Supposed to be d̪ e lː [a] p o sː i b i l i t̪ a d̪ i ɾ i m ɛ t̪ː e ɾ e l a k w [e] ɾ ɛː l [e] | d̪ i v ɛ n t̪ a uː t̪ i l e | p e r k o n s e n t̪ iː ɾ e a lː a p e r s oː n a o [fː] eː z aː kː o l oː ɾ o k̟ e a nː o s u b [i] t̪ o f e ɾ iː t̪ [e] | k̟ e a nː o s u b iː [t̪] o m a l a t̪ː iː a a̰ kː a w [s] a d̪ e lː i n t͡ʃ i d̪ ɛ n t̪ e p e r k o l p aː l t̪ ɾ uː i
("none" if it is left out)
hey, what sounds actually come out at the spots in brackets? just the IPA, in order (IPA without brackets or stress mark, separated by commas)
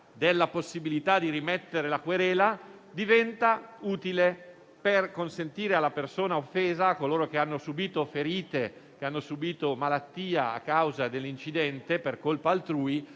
a, e, a, fː, iː, e, t̪, z